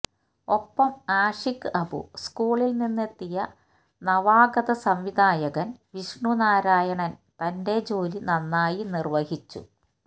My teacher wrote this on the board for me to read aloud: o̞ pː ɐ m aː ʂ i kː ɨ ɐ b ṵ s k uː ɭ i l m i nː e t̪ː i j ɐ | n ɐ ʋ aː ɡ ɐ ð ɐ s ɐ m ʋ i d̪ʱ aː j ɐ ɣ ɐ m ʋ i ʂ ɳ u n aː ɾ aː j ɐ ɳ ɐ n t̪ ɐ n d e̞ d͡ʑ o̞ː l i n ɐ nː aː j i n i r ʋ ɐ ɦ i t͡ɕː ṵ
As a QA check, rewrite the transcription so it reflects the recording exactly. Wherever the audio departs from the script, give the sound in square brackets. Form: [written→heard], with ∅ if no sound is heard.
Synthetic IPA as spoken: o̞ pː ɐ m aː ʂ i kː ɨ ɐ b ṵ s k uː ɭ i l [m→n] i nː e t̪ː i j ɐ | n ɐ ʋ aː ɡ ɐ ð ɐ s ɐ m ʋ i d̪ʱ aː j ɐ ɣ ɐ [m→n] ʋ i ʂ ɳ u n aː ɾ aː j ɐ ɳ ɐ n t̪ ɐ n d e̞ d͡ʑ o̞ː l i n ɐ nː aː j i n i r ʋ ɐ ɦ i t͡ɕː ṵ

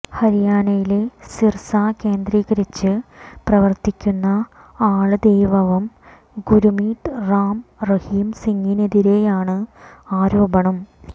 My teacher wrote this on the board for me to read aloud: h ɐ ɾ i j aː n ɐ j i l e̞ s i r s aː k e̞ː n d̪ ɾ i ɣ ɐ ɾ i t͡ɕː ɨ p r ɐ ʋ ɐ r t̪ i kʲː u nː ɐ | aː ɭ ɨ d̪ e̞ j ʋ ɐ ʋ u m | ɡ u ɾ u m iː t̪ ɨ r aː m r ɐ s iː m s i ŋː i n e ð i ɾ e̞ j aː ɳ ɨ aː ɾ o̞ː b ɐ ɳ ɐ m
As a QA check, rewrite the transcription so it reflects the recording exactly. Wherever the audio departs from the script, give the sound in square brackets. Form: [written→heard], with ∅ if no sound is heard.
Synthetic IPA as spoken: h ɐ ɾ i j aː n ɐ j i l e̞ s i r s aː k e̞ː n d̪ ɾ [i→iː] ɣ ɐ ɾ i t͡ɕː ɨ p r ɐ ʋ ɐ r t̪ i kʲː u nː ɐ | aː ɭ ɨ d̪ e̞ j ʋ ɐ ʋ u m | ɡ u ɾ u m iː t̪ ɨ r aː m r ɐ [s→h] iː m s i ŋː i n e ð i ɾ e̞ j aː ɳ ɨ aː ɾ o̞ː b ɐ ɳ ɐ m

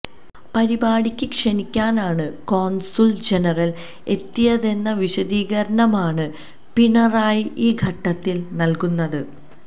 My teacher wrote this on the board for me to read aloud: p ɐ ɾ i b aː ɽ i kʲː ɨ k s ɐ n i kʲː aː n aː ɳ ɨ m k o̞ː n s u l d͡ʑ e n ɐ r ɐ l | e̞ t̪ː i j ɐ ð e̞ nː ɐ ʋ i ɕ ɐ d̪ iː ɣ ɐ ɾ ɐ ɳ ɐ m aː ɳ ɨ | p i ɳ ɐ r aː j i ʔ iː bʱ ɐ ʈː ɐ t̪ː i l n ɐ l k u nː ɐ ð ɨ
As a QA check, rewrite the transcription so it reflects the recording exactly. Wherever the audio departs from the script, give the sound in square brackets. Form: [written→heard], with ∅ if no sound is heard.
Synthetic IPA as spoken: p ɐ ɾ i b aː ɽ i kʲː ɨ k [s→ʂ] ɐ n i kʲː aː n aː ɳ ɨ [m→∅] k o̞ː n s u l d͡ʑ e n ɐ r ɐ l | e̞ t̪ː i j ɐ ð e̞ nː ɐ ʋ i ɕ ɐ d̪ iː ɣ ɐ ɾ ɐ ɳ ɐ m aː ɳ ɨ | p i ɳ ɐ r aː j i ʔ iː [bʱ→ɡʱ] ɐ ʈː ɐ t̪ː i l n ɐ l k u nː ɐ ð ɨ

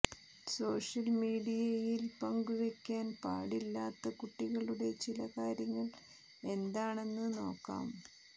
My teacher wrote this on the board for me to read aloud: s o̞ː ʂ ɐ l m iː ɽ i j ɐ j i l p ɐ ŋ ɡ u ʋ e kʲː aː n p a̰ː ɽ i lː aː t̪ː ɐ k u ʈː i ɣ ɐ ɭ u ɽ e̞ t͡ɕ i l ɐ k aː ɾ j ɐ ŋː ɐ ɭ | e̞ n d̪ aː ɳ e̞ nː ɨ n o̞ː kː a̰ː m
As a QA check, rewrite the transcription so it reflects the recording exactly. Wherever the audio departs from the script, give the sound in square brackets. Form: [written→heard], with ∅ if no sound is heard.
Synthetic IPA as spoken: s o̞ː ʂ ɐ l m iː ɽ i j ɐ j i l p ɐ ŋ ɡ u ʋ e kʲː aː n p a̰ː ɽ i lː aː t̪ː ɐ k u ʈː i ɣ ɐ ɭ u ɽ e̞ t͡ɕ i l ɐ k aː ɾ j ɐ ŋː ɐ ɭ | e̞ n d̪ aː ɳ e̞ nː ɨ n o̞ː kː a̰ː m

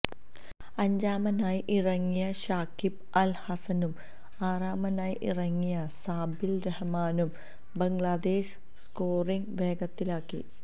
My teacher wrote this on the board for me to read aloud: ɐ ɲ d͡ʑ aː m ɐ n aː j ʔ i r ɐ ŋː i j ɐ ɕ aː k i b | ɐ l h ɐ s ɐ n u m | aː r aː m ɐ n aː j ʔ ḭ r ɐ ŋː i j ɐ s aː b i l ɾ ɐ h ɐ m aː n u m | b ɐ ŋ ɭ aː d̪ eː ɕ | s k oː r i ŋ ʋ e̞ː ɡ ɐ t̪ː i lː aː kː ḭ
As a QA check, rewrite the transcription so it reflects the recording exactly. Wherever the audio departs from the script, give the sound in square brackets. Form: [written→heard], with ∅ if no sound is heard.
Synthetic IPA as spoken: ɐ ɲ d͡ʑ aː m ɐ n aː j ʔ i r ɐ ŋː i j ɐ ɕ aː k i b | ɐ l h ɐ s ɐ n u m | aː r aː m ɐ n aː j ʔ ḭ r ɐ ŋː i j ɐ s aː b i l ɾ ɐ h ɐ m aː n u m | b ɐ ŋ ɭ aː d̪ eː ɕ | s k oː r i ŋ ʋ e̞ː ɡ ɐ t̪ː i [lː→l] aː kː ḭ

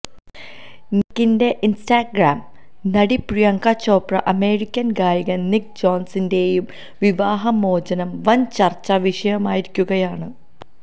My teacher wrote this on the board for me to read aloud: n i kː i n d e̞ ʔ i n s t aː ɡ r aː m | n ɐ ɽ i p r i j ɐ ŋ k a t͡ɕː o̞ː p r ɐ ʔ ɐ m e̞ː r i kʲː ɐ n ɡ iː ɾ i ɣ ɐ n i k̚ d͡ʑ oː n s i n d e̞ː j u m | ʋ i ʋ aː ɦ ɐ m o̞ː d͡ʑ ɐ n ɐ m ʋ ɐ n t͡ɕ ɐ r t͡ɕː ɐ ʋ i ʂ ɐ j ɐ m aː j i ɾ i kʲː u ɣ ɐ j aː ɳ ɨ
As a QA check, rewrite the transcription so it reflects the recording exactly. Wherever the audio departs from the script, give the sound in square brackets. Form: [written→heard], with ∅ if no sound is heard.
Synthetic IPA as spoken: n i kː i n d e̞ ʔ i n s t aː ɡ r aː m | n ɐ ɽ i p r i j ɐ ŋ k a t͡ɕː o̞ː p r ɐ ʔ ɐ m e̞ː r i kʲː ɐ n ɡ [iː→aː] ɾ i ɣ ɐ n i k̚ d͡ʑ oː n s i n d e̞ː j u m | ʋ i ʋ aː ɦ ɐ m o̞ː d͡ʑ ɐ n ɐ m ʋ ɐ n t͡ɕ ɐ r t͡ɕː ɐ ʋ i ʂ ɐ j ɐ m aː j i ɾ i kʲː u ɣ ɐ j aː ɳ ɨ

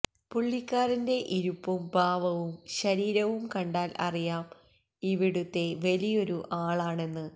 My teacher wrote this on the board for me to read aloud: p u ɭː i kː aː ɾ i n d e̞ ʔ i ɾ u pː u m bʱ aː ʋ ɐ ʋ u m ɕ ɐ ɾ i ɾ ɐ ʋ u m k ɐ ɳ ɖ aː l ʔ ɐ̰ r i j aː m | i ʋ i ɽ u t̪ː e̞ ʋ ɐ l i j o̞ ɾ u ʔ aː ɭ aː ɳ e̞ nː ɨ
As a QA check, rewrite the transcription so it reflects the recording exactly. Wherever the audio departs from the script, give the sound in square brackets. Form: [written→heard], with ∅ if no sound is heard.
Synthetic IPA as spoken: p u ɭː i kː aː ɾ i n d e̞ ʔ i ɾ u pː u m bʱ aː ʋ ɐ ʋ u m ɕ ɐ ɾ [i→iː] ɾ ɐ ʋ u m k ɐ ɳ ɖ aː l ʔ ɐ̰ r i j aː m | i ʋ i ɽ u t̪ː e̞ ʋ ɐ l i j o̞ ɾ u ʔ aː ɭ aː ɳ e̞ nː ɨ

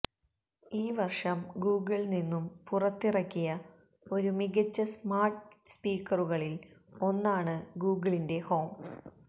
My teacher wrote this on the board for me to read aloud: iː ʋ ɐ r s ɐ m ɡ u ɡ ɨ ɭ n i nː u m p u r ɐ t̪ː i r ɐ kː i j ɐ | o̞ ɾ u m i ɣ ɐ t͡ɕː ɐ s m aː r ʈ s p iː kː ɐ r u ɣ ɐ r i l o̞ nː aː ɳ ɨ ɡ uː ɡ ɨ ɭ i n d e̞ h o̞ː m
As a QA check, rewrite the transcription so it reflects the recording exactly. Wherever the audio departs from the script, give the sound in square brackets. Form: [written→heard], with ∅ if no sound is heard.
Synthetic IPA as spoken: iː ʋ ɐ r [s→ʂ] ɐ m ɡ [u→uː] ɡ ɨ ɭ n i nː u m p u r ɐ t̪ː i r ɐ kː i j ɐ | o̞ ɾ u m i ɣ ɐ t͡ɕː ɐ s m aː r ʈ s p iː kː ɐ r u ɣ ɐ [r→ɭ] i l o̞ nː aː ɳ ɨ ɡ uː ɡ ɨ ɭ i n d e̞ h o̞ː m

